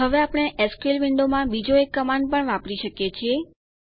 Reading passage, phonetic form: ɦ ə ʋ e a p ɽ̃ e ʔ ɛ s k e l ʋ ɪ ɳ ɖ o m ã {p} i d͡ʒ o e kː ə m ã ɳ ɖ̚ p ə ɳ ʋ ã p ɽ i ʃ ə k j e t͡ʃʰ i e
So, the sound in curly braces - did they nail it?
no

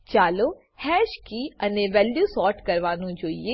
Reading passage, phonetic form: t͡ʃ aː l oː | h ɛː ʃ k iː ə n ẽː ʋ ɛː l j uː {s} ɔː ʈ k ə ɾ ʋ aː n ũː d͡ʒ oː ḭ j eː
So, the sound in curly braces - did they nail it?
yes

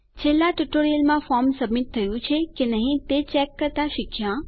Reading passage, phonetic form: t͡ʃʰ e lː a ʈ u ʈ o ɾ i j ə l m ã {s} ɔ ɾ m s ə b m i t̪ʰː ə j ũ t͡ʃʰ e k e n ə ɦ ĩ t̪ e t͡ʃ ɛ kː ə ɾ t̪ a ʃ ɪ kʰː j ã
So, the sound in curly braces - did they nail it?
no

